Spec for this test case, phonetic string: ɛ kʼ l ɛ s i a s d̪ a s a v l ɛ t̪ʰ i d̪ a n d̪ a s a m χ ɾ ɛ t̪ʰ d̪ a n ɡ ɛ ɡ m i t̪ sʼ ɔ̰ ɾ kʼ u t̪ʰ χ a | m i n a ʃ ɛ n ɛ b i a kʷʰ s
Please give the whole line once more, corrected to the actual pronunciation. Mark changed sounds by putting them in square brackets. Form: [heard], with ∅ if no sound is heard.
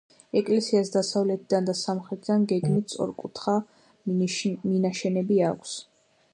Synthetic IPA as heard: ɛ kʼ l ɛ s i a s d̪ a s a v l ɛ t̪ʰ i d̪ a n d̪ a s a m χ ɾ ɛ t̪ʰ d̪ a n ɡ ɛ ɡ m i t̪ sʼ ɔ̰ ɾ kʼ u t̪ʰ χ a | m i n a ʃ ɛ n ɛ b i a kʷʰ s